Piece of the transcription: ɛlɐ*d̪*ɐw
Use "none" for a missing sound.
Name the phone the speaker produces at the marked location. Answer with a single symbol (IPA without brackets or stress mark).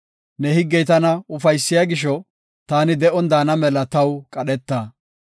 t̪